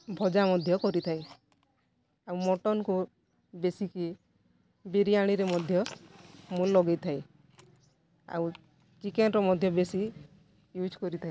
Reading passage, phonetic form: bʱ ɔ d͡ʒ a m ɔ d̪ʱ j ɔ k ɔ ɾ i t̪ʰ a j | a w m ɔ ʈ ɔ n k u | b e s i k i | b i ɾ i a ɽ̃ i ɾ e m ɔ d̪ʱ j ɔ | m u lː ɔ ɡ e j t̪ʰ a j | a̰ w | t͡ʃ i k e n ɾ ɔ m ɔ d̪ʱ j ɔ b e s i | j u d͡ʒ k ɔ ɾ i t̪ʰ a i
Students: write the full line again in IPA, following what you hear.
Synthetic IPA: bʱ ɔ d͡ʒ a m ɔ d̪ʱ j ɔ k ɔ ɾ i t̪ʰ a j | a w m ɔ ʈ ɔ n k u | b e s i k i | b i ɾ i a ɽ̃ i ɾ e m ɔ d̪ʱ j ɔ | m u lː ɔ ɡ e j t̪ʰ a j | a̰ w | t͡ʃ i k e n ɾ ɔ m ɔ d̪ʱ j ɔ b e s i | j u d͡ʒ k ɔ ɾ i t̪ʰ a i

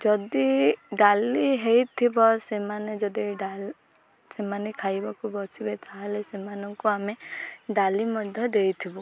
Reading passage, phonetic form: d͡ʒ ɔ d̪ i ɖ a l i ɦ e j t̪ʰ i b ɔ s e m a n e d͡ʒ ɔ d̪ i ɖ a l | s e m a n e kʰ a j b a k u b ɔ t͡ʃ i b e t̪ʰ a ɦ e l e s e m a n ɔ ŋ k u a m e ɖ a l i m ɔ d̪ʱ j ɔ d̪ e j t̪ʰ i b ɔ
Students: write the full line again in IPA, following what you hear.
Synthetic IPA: d͡ʒ ɔ d̪ i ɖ a l i ɦ e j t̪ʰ i b ɔ s e m a n e d͡ʒ ɔ d̪ i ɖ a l | s e m a n e kʰ a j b a k u b ɔ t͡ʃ i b e t̪ʰ a ɦ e l e s e m a n ɔ ŋ k u a m e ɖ a l i m ɔ d̪ʱ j ɔ d̪ e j t̪ʰ i b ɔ

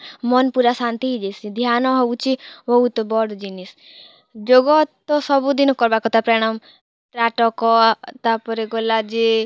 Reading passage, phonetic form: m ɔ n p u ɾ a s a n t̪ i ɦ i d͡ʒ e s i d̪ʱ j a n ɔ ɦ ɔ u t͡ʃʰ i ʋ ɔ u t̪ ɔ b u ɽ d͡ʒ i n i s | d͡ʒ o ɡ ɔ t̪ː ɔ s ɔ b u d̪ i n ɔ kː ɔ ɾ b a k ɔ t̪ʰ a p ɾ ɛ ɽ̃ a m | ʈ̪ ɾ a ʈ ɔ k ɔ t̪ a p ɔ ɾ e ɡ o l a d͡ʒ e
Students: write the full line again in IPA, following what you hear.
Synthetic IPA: m ɔ n p u ɾ a s a n t̪ i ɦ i d͡ʒ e s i d̪ʱ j a n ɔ ɦ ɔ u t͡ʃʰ i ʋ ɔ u t̪ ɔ b ɔ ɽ d͡ʒ i n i s | d͡ʒ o ɡ ɔ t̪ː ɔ s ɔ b u d̪ i n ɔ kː ɔ ɾ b a k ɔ t̪ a p ɾ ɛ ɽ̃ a m | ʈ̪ ɾ a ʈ ɔ k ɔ t̪ a p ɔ ɾ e ɡ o l a d͡ʒ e

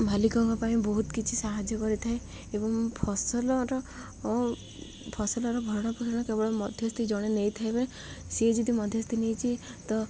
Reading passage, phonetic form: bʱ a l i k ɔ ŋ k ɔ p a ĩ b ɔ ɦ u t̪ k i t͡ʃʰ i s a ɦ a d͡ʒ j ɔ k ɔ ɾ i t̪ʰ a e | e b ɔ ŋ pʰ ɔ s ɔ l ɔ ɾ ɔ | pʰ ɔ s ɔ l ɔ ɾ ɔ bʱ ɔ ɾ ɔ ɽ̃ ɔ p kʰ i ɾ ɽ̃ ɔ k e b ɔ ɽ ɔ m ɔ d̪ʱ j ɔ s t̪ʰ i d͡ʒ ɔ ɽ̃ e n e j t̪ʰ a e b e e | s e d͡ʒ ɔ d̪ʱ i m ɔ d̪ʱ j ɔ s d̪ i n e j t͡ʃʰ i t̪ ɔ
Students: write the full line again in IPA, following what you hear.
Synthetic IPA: bʱ a l i k ɔ ŋ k ɔ p a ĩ b ɔ ɦ u t̪ k i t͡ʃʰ i s a ɦ a d͡ʒ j ɔ k ɔ ɾ i t̪ʰ a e | e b ɔ ŋ pʰ ɔ s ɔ l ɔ ɾ ɔ | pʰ ɔ s ɔ l ɔ ɾ ɔ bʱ ɔ ɾ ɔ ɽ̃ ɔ p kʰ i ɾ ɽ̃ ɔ k e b ɔ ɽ ɔ m ɔ d̪ʱ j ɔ s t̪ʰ i d͡ʒ ɔ ɽ̃ e n e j t̪ʰ a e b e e | s e d͡ʒ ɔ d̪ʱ i m ɔ d̪ʱ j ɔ s t̪ i n e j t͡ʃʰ i t̪ ɔ

